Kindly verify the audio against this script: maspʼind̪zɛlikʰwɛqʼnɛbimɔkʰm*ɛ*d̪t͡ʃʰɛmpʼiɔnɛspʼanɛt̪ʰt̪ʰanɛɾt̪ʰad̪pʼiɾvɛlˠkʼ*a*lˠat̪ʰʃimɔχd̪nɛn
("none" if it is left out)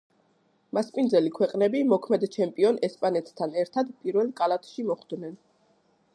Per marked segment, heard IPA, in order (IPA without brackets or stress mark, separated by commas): ɛ, a